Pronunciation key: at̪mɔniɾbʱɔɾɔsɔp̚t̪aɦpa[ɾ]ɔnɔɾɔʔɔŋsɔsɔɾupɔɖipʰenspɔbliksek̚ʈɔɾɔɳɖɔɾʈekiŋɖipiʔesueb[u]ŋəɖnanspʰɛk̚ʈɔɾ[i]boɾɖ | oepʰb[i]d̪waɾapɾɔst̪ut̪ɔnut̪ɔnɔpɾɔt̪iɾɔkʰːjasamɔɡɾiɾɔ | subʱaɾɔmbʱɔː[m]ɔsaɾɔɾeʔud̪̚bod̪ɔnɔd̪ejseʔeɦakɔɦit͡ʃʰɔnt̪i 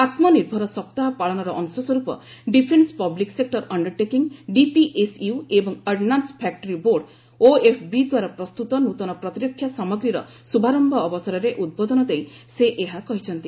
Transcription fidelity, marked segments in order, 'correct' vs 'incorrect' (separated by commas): incorrect, incorrect, correct, correct, incorrect